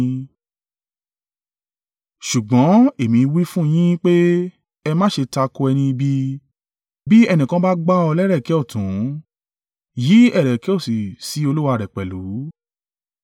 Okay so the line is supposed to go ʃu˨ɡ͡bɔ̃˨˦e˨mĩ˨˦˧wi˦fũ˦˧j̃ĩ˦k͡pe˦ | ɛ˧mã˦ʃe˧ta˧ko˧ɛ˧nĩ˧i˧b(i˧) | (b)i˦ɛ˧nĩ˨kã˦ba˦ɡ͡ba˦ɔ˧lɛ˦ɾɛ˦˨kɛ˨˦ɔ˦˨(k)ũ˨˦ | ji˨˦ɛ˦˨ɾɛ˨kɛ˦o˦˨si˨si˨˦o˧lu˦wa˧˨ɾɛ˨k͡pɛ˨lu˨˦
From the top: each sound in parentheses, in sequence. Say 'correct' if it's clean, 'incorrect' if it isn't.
correct, correct, incorrect: t

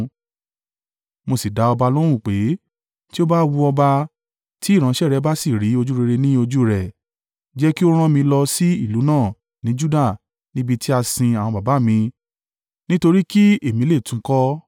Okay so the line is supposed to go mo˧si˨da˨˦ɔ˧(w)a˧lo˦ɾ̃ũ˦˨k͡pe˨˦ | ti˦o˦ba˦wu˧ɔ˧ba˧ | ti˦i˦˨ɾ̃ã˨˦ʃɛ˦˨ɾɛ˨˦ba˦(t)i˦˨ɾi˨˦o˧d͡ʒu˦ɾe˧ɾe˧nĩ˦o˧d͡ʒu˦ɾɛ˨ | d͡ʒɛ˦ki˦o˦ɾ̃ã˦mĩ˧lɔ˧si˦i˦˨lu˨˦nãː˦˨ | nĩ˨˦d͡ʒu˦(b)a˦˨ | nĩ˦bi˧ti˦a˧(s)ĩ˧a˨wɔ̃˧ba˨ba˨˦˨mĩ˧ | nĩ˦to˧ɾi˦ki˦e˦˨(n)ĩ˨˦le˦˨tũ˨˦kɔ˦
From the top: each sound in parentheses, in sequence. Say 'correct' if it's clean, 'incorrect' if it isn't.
incorrect: b, incorrect: s, incorrect: d, correct, incorrect: m

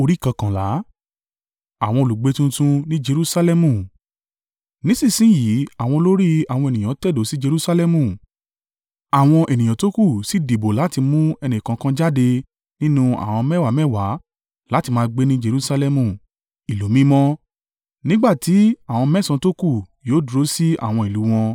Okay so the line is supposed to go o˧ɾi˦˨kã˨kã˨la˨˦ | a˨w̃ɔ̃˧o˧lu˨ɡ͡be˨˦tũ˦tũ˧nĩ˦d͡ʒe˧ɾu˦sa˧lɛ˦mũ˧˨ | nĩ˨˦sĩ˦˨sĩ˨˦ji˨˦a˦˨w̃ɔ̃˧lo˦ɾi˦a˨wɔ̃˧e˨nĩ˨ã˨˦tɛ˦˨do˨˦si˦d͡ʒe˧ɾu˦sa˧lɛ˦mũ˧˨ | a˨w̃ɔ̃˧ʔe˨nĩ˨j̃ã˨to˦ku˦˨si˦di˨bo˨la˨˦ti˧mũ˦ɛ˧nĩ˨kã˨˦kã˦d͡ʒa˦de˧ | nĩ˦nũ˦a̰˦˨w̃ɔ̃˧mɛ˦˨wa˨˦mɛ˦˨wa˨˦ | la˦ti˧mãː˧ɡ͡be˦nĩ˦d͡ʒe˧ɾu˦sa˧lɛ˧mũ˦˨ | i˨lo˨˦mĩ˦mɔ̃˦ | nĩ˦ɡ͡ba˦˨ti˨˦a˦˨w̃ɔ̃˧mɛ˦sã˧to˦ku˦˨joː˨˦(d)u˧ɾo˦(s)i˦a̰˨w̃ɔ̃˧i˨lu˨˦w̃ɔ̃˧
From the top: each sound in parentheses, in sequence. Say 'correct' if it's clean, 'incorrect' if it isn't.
correct, correct

